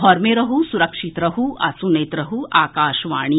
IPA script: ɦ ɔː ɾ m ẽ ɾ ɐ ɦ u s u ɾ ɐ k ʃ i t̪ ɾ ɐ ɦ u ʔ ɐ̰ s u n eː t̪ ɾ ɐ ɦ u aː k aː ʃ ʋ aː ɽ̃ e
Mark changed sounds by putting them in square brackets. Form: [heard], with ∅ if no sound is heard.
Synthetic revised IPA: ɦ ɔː ɾ m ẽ ɾ ɐ ɦ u s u ɾ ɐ k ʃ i t̪ ɾ ɐ ɦ u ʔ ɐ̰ s u n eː t̪ ɾ ɐ ɦ u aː k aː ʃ ʋ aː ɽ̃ [i]